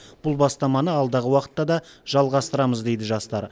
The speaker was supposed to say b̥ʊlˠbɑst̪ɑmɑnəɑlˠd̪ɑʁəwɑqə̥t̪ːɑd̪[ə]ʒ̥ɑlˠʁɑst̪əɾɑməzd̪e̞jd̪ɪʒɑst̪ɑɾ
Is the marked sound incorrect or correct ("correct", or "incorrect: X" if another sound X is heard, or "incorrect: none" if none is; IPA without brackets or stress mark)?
incorrect: ɑ